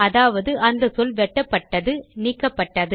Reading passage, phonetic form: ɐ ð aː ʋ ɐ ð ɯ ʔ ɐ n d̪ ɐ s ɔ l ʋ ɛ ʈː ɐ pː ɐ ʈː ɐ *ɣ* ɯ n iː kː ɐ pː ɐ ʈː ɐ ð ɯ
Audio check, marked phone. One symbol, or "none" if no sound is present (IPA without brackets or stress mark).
ð